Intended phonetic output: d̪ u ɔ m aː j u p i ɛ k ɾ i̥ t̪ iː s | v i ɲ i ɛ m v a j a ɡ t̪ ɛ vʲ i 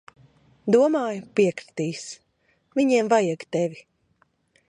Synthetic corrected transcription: d̪ u ɔ m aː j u p i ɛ k ɾ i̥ t̪ iː s | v i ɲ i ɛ m v a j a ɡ t̪ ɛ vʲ i